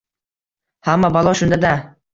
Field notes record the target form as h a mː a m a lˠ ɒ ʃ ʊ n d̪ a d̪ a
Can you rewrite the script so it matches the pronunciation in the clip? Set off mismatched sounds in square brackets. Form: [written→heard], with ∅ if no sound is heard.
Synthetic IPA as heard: h a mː a [m→b] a lˠ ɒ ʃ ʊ n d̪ a d̪ a